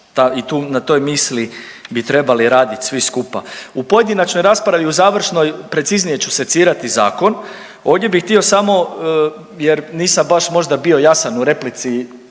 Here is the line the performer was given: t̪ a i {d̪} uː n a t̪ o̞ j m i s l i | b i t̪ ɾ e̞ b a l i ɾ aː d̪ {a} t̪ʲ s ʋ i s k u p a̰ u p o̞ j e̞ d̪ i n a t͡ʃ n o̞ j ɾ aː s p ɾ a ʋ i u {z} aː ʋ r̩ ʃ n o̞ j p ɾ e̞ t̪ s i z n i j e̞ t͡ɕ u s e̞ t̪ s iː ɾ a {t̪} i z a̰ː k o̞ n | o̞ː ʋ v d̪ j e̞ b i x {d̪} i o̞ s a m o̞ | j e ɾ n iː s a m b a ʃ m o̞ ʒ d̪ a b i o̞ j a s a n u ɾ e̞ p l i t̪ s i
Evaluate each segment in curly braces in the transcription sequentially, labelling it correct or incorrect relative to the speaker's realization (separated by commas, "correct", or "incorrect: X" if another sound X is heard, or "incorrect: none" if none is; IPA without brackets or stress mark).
incorrect: t̪, incorrect: i, correct, correct, incorrect: t̪